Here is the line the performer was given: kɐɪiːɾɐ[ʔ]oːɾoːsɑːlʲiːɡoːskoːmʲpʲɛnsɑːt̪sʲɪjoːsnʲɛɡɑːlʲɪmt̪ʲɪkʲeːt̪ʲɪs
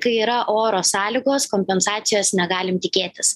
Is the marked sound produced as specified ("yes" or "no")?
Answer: yes